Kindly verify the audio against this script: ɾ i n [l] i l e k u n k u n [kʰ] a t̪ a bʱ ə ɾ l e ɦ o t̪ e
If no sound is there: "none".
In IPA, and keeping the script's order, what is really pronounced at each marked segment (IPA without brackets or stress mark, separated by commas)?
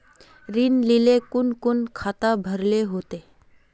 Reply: l, kʰ